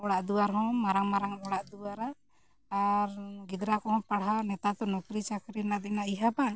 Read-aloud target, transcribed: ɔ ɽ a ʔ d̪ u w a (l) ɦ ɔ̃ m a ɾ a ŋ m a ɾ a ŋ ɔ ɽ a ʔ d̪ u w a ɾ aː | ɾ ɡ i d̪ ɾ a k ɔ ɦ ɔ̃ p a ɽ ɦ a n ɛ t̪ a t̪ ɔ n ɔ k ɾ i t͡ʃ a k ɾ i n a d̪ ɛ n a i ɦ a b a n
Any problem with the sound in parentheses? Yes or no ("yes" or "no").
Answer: yes